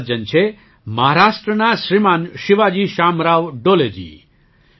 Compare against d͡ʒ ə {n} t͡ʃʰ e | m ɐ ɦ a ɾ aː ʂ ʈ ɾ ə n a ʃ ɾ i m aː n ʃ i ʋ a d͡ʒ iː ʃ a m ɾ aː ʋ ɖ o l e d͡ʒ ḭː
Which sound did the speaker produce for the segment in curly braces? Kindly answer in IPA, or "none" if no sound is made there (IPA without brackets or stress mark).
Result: n